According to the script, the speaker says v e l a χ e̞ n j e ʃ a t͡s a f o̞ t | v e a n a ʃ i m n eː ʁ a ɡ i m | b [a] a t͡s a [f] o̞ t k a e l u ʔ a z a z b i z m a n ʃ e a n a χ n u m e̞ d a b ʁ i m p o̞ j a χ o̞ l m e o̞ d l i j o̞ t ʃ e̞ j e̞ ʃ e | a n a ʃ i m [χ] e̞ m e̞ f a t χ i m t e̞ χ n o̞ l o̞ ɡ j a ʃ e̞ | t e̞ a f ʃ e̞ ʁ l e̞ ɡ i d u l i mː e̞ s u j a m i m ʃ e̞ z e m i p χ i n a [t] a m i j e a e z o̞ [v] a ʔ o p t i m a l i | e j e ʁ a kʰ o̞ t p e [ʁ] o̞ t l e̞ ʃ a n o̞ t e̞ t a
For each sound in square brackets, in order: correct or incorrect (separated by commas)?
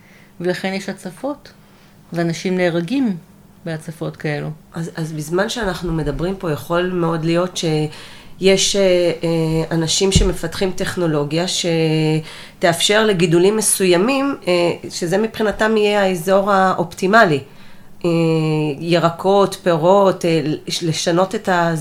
incorrect, correct, incorrect, correct, incorrect, correct